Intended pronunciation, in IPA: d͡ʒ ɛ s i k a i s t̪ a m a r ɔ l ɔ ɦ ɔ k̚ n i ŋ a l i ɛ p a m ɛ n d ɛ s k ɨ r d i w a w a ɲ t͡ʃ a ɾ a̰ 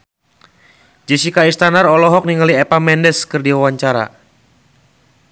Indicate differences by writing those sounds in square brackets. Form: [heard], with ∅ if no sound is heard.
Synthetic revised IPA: d͡ʒ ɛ s i k a i s t̪ a [n] a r ɔ l ɔ ɦ ɔ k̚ n i ŋ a l i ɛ p a m ɛ n d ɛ s k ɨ r d i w a w a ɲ t͡ʃ a ɾ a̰